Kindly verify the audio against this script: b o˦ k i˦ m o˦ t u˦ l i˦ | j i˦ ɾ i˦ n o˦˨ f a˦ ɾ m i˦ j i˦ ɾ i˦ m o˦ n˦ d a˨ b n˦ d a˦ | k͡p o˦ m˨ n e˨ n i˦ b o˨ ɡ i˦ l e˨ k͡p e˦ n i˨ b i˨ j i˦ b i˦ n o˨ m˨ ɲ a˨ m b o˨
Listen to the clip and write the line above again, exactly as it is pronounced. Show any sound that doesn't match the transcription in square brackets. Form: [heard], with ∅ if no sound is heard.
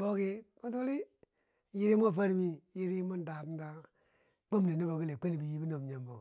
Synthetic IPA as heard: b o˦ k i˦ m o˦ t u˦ l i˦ | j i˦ ɾ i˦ [m] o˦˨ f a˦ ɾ m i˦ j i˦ ɾ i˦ m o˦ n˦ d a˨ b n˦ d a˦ | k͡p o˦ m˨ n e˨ n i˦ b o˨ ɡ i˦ l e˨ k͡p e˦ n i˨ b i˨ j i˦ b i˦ n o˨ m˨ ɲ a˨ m b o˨